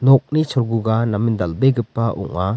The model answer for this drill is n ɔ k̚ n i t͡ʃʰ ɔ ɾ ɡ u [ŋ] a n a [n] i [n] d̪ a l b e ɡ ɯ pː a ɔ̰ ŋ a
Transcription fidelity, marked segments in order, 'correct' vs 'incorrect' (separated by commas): incorrect, incorrect, correct